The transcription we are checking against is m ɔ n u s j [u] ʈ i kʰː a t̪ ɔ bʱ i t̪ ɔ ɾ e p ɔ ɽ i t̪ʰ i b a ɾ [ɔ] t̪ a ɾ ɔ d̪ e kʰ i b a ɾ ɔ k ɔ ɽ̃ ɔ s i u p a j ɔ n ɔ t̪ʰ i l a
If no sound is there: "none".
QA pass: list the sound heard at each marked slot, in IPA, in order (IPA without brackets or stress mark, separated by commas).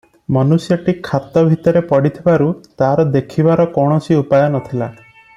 ɔ, u